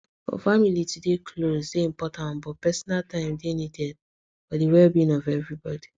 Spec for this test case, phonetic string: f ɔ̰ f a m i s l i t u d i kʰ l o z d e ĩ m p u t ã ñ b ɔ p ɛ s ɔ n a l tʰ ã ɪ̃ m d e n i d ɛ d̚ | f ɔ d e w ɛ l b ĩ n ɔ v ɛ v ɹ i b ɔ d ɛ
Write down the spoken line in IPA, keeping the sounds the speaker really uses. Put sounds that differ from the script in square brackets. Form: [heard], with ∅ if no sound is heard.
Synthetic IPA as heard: f ɔ̰ f a m i [∅] l i t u d [e] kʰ l o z d e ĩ m p [ɔ] t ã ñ b ɔ p ɛ s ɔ n a l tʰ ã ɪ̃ m d e n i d ɛ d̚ | f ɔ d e w ɛ l b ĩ n ɔ v ɛ v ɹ i b ɔ d [i]